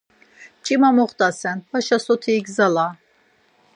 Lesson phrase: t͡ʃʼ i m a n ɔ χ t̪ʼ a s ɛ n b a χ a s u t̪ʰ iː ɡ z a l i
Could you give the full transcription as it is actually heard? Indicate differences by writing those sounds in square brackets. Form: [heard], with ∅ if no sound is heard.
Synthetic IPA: t͡ʃʼ i m a [m] ɔ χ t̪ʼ a s ɛ n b a [ʃ] a s [ɔ] t̪ʰ iː ɡ z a l [a]